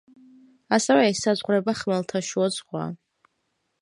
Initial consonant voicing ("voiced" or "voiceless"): voiceless